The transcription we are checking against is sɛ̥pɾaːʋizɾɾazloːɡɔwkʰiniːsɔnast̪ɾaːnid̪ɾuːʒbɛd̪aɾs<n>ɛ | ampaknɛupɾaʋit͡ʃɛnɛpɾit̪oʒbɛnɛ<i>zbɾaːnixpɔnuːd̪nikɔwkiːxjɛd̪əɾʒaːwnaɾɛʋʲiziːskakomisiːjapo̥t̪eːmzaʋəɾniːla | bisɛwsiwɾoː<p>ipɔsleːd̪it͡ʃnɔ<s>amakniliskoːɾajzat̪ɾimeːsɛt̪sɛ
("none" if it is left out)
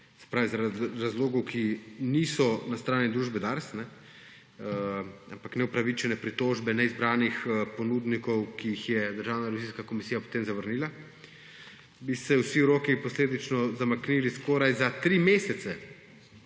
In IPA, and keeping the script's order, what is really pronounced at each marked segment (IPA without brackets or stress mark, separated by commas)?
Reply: n, i, k, z